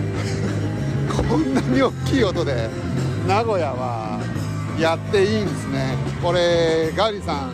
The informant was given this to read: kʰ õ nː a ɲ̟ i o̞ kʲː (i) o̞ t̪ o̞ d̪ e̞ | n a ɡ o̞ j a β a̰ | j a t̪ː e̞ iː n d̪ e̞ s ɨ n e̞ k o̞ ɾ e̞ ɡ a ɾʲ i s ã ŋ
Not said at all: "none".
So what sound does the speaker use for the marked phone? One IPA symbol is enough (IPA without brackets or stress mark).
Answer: iː